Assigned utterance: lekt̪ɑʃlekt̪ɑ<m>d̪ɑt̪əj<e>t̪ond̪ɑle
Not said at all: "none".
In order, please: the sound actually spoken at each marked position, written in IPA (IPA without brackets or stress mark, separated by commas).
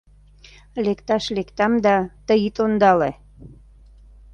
m, i